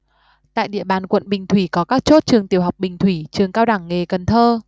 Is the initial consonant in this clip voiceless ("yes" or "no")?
yes